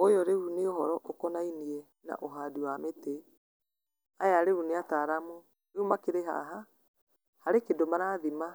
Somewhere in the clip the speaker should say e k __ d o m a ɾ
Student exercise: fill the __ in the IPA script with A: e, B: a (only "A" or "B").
A